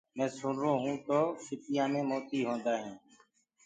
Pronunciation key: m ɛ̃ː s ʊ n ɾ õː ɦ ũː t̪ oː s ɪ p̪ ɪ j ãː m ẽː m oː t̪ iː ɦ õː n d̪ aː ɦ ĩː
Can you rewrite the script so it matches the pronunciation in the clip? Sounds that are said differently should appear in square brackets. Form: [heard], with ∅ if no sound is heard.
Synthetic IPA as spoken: m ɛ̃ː s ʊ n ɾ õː ɦ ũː t̪ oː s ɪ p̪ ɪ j ãː m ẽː m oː t̪ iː ɦ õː n d̪ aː ɦ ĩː